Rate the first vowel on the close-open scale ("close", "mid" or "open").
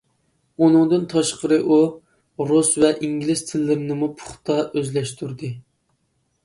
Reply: close